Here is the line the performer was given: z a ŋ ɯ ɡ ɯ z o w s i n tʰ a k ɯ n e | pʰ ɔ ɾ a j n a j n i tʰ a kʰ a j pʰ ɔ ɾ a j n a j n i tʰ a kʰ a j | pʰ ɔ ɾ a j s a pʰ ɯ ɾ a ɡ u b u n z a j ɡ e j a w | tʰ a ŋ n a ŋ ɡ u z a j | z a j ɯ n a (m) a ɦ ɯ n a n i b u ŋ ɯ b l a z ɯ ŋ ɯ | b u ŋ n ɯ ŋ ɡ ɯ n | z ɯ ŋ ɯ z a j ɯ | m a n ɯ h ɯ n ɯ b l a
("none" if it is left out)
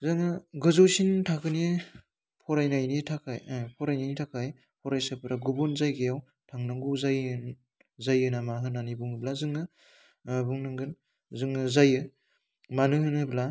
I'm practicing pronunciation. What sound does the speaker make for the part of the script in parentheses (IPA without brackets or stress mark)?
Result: m